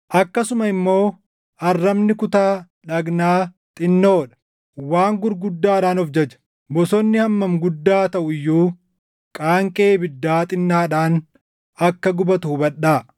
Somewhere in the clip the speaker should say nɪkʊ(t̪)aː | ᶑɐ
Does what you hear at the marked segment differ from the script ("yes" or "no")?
no